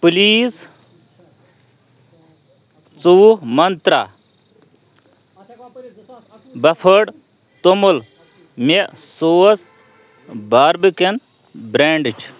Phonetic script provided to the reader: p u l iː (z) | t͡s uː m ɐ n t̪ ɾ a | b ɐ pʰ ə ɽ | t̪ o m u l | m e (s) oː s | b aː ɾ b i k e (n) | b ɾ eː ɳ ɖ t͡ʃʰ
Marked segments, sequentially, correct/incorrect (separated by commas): incorrect, correct, correct